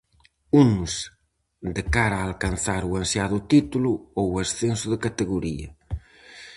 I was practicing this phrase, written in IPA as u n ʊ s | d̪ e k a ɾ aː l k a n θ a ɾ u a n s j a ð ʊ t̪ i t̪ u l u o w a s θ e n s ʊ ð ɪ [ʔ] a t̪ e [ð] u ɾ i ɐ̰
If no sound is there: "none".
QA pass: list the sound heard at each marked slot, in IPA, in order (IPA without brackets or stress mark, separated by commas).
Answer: k, ɣ